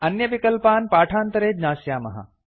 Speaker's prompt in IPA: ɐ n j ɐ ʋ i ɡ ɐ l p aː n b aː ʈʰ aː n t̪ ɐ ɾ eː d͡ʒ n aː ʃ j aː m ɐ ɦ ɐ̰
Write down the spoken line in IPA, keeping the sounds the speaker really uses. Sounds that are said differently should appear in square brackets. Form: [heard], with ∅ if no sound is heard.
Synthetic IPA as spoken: ɐ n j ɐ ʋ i [k] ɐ l p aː n [p] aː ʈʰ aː n t̪ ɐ ɾ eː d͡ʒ n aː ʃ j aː m ɐ ɦ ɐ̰

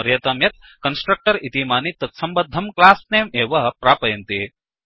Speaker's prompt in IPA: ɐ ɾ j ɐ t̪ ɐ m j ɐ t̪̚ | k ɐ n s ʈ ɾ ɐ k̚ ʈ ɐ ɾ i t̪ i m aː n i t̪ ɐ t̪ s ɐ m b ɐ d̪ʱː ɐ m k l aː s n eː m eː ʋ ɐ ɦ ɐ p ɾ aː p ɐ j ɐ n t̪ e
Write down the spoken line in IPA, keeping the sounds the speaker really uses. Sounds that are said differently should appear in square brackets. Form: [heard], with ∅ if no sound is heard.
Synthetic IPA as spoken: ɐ ɾ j ɐ t̪ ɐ m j ɐ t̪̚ | k ɐ n s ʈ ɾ ɐ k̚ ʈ ɐ ɾ i t̪ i m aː n i t̪ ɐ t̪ s ɐ m b ɐ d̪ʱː ɐ m k l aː s n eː m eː ʋ ɐ ɦ ɐ p ɾ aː p ɐ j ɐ n t̪ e

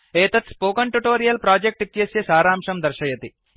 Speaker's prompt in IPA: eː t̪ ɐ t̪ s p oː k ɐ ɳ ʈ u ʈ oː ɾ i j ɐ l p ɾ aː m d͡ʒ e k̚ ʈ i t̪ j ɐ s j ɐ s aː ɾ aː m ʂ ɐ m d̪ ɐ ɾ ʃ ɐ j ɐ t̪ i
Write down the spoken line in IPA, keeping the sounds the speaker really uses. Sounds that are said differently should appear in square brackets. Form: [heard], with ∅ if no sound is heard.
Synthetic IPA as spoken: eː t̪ ɐ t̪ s p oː k ɐ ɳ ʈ u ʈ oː ɾ i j ɐ l p ɾ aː [∅] d͡ʒ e k̚ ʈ i t̪ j ɐ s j ɐ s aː ɾ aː m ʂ ɐ m d̪ ɐ ɾ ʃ ɐ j ɐ t̪ i

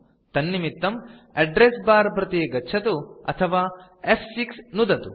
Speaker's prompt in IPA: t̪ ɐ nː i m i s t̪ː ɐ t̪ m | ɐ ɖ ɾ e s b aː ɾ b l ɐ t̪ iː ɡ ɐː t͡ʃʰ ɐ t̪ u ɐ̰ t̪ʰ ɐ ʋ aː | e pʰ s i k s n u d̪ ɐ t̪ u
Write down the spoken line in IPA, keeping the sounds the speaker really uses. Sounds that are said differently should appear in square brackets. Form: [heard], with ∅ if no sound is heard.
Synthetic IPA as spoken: t̪ ɐ nː i m i [∅] t̪ː ɐ [∅] m | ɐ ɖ ɾ e s b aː ɾ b [ɾ] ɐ t̪ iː ɡ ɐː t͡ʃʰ ɐ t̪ u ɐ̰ t̪ʰ ɐ ʋ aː | e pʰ s i k s n u d̪ ɐ t̪ u

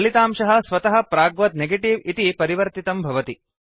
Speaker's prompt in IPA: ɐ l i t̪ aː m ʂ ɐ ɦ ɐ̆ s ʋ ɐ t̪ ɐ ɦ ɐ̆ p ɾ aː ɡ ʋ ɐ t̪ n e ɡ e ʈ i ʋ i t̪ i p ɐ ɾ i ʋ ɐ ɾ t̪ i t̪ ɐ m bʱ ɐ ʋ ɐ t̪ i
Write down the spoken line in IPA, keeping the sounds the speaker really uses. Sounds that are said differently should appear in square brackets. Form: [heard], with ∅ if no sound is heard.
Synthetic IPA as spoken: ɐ l i t̪ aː m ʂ ɐ ɦ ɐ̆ s ʋ ɐ t̪ ɐ ɦ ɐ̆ p ɾ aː ɡ ʋ ɐ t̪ n e ɡ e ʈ i ʋ i t̪ i p ɐ ɾ i ʋ ɐ ɾ t̪ i t̪ ɐ m bʱ ɐ ʋ ɐ t̪ i

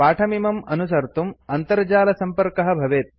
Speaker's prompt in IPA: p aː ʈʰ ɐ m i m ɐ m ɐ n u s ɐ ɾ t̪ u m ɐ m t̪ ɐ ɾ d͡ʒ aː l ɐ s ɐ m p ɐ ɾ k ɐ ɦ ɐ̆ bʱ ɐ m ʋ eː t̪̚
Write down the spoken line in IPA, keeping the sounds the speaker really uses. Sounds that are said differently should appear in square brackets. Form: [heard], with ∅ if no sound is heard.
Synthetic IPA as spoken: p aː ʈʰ ɐ m i m ɐ m ɐ n u s ɐ ɾ t̪ u m ɐ [n] t̪ ɐ ɾ d͡ʒ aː l ɐ s ɐ m p ɐ ɾ k ɐ ɦ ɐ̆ bʱ ɐ [∅] ʋ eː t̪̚

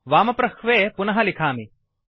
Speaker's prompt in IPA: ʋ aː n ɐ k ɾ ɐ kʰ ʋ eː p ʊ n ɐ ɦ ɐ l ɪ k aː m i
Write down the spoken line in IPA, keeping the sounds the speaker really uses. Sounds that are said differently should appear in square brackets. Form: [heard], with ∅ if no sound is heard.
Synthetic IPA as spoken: ʋ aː [m] ɐ [p] ɾ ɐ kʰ ʋ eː p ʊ n ɐ ɦ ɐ l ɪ [kʰ] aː m i

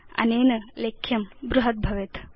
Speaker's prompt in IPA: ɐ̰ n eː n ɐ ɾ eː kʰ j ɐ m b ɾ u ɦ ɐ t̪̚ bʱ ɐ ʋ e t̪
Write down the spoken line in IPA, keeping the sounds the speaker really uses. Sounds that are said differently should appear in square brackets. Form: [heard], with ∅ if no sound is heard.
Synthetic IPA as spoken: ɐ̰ n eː n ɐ [l] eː kʰ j ɐ m b ɾ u ɦ ɐ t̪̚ bʱ ɐ ʋ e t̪

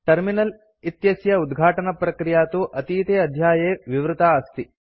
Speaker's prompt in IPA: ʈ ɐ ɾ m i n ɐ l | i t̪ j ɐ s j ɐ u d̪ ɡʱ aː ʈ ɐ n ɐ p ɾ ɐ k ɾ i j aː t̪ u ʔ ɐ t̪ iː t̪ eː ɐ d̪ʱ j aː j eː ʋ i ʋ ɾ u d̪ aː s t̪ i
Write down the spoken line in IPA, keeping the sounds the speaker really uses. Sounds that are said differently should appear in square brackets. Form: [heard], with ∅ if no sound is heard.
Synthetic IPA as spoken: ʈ ɐ ɾ m i n ɐ l | i t̪ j ɐ s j ɐ u d̪ ɡʱ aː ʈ ɐ n ɐ p ɾ ɐ k ɾ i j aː t̪ u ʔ ɐ t̪ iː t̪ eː ɐ d̪ʱ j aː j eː ʋ i ʋ ɾ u [t̪] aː s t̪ i

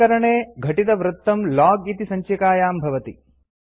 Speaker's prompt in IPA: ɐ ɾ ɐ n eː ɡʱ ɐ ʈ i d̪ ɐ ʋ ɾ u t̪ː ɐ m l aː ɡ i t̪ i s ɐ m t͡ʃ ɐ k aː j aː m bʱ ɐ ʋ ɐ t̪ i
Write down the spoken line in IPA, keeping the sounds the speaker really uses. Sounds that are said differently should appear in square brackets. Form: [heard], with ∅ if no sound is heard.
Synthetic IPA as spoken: ɐ ɾ ɐ [ɳ] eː ɡʱ ɐ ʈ i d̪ ɐ ʋ ɾ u t̪ː ɐ m l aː ɡ i t̪ i s ɐ [ɲ] t͡ʃ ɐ k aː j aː m bʱ ɐ ʋ ɐ t̪ i

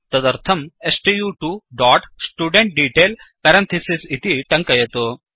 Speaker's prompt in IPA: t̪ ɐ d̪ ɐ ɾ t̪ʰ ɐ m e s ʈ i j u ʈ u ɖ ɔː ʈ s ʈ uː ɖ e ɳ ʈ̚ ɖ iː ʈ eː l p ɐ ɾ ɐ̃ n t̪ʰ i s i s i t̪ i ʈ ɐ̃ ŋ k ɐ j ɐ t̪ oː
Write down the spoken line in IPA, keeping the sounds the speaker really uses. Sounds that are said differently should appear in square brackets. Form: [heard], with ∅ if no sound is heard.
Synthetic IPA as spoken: t̪ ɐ d̪ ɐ ɾ t̪ʰ ɐ m e s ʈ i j u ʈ u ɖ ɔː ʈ s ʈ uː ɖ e ɳ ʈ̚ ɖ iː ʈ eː l p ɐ ɾ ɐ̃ n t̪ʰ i s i s i t̪ i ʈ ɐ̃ ŋ k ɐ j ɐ t̪ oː

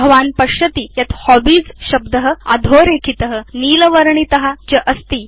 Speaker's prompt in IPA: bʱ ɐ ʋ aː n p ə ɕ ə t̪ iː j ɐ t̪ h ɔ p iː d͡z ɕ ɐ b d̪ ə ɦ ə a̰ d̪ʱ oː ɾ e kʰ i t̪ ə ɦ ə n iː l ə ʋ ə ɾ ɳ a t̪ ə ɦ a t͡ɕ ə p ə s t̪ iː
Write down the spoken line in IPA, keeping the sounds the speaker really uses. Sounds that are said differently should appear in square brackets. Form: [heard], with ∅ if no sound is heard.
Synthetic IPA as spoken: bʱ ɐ ʋ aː n p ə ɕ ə t̪ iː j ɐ t̪ h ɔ [b] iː d͡z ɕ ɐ b d̪ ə ɦ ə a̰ d̪ʱ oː ɾ e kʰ i t̪ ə ɦ ə n iː l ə ʋ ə ɾ ɳ [i] t̪ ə ɦ a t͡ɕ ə [ʔ] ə s t̪ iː

